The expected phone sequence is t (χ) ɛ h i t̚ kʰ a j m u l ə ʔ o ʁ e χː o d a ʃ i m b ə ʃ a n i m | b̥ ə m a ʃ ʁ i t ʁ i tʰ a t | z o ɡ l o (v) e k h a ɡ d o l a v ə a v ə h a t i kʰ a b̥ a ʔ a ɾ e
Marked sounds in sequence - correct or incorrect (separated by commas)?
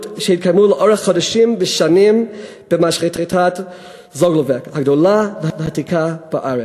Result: incorrect, correct